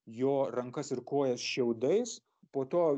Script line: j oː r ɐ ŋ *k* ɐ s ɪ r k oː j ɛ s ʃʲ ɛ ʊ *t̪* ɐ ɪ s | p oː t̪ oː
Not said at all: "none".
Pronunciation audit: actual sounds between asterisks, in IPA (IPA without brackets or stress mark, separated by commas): k, d̪